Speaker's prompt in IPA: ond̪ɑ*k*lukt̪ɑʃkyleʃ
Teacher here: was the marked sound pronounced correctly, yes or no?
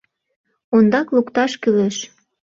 yes